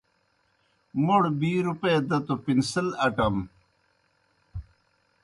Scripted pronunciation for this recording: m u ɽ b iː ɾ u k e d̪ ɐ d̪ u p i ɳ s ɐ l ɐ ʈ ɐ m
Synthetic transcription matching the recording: m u ɽ b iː ɾ u p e d̪ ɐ t̪ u p i n s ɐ l ɐ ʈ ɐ m

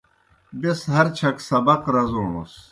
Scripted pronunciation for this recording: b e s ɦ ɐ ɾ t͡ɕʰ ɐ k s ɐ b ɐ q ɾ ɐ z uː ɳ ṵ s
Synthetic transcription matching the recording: b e s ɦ ɐ ɾ t͡ɕʰ ɐ k s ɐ b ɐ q ɾ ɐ z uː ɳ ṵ s

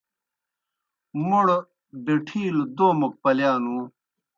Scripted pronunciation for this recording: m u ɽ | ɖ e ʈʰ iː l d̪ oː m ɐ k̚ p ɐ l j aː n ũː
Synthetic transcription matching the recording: m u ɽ | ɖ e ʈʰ iː l d̪ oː m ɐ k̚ p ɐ l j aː n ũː

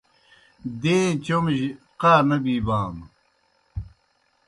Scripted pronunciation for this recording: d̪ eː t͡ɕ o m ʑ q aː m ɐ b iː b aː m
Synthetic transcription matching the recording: d̪ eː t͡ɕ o m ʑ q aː n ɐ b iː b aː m

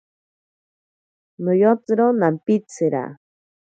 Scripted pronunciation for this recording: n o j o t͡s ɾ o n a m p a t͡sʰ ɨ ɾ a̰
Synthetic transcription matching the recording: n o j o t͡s ɾ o n a m p i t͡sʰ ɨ ɾ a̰

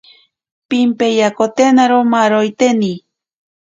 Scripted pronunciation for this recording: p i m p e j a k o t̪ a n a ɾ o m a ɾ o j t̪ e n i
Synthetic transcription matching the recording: p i m p e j a k o t̪ e n a ɾ o m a ɾ o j t̪ e n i

